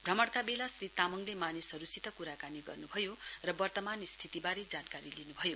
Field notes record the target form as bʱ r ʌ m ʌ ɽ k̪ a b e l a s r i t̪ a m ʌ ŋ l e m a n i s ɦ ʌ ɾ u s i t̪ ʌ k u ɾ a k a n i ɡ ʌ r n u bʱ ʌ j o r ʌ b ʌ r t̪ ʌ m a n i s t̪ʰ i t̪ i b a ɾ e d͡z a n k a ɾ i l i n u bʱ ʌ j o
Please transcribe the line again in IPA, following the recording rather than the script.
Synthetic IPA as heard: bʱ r ʌ m ʌ ɽ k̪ a b e l a s r i t̪ a m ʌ ŋ l e m a n i s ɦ ʌ ɾ u s i t̪ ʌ k u ɾ a k a n i ɡ ʌ r n u bʱ ʌ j o r ʌ b ʌ r t̪ ʌ m a n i s t̪ʰ i t̪ i b a ɾ e d͡z a n k a ɾ i l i n u bʱ ʌ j o